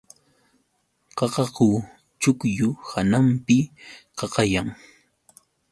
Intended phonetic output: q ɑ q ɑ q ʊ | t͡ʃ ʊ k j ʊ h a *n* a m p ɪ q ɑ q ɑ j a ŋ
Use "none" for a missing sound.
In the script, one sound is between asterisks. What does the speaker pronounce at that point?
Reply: n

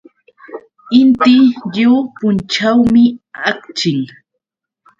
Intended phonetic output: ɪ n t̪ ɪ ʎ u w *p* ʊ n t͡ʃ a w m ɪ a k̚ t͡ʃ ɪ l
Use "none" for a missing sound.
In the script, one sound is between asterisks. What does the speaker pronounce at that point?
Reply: p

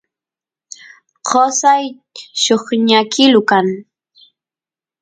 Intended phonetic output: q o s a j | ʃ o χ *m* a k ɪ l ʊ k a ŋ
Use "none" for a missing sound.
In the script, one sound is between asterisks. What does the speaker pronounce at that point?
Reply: ɲ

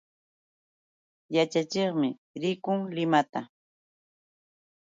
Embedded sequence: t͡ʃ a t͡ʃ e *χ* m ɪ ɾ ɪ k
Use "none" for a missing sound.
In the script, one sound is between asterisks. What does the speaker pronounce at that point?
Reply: χ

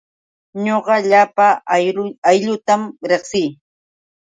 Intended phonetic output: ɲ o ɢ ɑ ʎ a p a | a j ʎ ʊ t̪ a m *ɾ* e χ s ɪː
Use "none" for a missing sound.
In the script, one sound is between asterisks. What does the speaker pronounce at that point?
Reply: ɾ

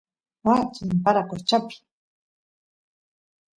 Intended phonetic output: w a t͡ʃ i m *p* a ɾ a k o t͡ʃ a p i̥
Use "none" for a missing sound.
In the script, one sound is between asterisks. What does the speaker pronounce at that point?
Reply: p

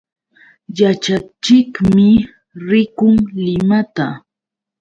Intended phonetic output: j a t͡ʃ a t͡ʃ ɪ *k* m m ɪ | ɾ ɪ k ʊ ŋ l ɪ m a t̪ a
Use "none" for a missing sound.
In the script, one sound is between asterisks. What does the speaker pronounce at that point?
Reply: k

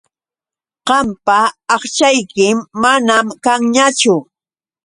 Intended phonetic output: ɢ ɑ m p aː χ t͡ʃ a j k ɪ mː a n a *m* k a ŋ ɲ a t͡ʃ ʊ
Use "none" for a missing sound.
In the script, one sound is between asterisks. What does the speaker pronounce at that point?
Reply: m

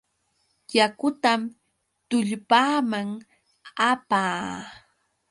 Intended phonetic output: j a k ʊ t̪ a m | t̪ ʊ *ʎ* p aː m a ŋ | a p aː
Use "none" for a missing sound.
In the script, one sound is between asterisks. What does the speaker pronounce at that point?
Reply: ʎ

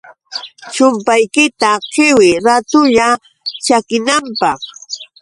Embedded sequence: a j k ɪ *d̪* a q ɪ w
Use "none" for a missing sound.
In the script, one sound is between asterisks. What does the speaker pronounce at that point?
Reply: t̪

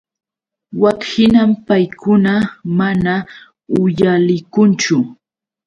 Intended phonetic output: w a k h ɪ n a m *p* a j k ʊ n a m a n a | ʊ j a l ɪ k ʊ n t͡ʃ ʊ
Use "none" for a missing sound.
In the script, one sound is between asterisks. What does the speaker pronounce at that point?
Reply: p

